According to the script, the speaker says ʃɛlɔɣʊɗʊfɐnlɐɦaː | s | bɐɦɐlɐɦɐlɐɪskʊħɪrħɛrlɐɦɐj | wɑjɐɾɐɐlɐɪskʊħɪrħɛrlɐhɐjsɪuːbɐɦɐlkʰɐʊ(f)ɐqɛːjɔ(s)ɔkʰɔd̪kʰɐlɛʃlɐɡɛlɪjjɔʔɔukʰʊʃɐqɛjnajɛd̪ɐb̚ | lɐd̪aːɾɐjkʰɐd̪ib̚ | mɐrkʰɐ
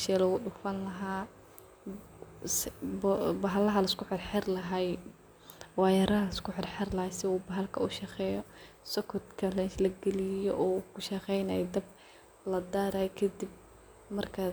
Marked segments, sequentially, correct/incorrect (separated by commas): incorrect, correct